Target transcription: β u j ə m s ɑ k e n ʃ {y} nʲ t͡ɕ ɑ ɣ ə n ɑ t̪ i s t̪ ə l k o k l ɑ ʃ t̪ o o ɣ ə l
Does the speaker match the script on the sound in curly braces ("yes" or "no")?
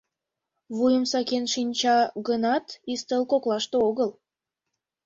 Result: no